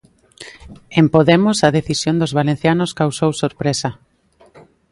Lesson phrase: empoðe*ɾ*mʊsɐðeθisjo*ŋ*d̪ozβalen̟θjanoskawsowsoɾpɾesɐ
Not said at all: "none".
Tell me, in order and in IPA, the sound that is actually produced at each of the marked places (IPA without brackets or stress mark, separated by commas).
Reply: none, n